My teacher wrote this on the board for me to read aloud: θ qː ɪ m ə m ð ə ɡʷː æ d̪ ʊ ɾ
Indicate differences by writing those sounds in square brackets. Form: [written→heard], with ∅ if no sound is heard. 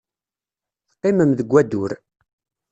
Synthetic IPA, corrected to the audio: θ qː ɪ m ə m ð ə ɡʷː æ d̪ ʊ ɾ